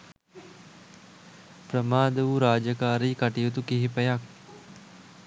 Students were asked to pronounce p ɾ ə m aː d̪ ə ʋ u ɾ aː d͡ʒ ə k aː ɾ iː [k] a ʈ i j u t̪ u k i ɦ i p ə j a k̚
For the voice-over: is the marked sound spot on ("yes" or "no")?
yes